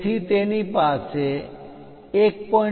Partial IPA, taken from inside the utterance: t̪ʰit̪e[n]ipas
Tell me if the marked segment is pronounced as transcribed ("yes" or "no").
yes